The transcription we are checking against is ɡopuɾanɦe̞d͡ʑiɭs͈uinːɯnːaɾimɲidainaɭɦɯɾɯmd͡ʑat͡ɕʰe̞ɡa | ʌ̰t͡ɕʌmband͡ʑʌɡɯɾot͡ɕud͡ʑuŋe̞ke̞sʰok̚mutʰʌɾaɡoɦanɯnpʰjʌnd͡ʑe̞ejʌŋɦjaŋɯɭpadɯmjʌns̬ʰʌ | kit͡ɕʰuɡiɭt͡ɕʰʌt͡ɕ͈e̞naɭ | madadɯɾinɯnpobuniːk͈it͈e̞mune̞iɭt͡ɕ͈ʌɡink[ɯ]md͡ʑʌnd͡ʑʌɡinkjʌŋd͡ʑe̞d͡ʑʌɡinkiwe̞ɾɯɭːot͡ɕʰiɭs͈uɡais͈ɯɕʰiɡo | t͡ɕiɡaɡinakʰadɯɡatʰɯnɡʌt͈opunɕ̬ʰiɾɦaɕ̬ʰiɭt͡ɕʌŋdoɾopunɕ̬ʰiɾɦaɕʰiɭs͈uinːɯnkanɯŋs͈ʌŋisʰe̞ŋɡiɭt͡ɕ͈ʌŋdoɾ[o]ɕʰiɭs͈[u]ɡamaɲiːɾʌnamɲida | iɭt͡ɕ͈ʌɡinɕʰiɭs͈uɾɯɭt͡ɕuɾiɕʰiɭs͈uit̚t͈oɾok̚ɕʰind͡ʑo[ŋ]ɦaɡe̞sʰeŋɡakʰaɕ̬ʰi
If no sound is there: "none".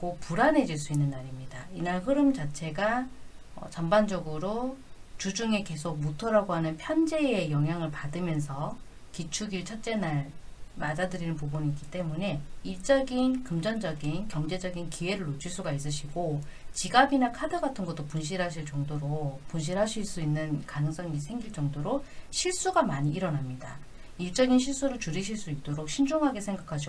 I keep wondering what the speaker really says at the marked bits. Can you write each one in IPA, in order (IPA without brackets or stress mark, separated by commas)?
ɯ, o, u, ŋ